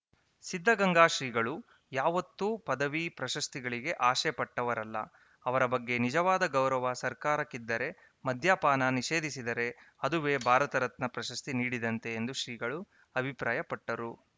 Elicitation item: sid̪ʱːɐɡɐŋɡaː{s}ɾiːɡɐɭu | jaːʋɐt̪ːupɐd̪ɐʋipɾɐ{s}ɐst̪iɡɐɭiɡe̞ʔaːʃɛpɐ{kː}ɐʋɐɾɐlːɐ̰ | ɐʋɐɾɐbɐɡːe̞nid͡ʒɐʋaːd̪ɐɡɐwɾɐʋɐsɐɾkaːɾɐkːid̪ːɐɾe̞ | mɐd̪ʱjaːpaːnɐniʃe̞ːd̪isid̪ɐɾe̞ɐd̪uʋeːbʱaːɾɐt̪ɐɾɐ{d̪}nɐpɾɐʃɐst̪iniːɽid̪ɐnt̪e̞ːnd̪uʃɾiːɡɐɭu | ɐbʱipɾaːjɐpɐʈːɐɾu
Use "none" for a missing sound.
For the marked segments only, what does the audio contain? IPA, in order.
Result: ʃ, ʃ, ʈː, t̪

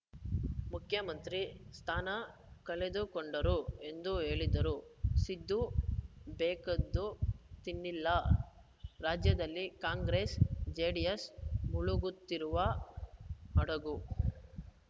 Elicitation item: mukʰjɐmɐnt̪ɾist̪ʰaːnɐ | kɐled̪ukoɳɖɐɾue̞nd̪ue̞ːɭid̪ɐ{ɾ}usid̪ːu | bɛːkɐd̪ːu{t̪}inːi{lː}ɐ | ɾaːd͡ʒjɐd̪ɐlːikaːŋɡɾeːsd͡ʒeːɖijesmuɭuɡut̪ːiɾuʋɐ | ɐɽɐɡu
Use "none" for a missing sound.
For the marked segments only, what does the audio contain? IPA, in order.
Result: ɾ, t̪, lː

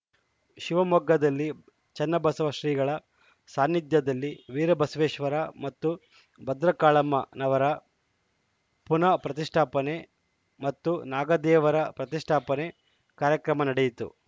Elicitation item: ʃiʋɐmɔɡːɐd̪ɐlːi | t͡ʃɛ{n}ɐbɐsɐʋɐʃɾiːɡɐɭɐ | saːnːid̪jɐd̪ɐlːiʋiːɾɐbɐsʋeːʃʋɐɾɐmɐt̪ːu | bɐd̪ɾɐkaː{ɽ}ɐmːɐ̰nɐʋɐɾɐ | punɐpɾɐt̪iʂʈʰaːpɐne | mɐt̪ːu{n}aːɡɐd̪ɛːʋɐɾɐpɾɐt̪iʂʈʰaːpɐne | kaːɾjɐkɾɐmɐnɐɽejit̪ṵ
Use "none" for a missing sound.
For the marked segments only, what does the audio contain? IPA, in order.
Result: nː, ɭ, n

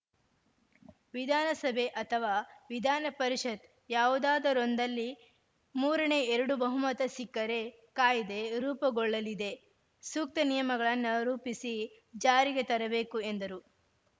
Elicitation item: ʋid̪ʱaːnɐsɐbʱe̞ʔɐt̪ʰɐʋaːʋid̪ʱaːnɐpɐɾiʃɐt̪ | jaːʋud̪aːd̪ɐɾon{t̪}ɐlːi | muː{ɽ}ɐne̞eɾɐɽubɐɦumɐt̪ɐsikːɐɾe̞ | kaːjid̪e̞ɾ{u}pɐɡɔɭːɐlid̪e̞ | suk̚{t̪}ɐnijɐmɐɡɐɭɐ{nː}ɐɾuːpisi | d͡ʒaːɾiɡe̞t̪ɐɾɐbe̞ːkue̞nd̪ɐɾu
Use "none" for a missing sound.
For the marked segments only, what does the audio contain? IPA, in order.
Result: d̪, ɾ, uː, t̪, nː

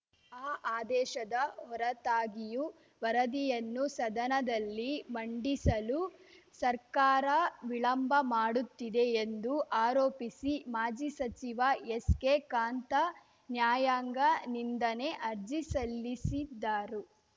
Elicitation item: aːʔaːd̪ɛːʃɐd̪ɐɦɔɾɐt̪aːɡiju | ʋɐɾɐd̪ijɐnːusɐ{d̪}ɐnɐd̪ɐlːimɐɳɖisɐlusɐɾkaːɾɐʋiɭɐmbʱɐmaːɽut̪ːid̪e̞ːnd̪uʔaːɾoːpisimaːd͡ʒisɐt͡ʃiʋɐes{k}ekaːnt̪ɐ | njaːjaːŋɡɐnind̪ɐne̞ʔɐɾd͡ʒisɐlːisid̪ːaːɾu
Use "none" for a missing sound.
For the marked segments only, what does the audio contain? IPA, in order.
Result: d̪, k

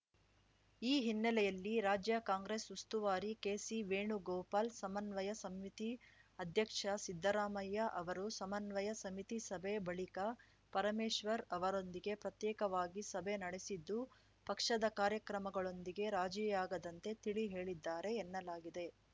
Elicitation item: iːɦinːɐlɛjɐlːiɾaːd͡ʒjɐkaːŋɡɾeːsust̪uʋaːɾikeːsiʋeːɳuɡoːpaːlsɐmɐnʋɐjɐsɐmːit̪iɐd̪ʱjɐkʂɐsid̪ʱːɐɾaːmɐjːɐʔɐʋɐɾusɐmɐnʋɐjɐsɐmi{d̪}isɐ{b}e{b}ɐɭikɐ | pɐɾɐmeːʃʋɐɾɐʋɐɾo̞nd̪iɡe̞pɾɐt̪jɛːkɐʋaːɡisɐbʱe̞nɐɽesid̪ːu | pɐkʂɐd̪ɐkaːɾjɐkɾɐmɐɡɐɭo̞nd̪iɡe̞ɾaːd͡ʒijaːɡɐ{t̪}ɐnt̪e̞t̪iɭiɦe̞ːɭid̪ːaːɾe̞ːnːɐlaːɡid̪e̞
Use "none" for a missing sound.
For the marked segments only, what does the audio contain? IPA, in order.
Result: t̪, b, b, d̪

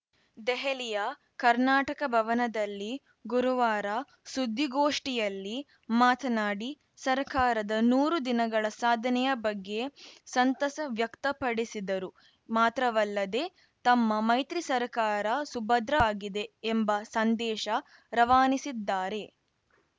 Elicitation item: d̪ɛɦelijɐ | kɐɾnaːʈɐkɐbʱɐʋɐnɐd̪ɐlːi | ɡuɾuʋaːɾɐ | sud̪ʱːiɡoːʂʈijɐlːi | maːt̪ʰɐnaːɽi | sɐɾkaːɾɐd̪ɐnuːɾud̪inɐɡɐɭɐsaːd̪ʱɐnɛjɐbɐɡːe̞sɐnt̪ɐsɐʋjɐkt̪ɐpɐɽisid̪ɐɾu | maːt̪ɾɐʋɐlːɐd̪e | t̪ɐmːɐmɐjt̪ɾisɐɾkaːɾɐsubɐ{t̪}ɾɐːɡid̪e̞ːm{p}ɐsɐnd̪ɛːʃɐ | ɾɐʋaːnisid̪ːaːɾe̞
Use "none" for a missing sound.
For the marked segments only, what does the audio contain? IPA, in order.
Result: d̪, b

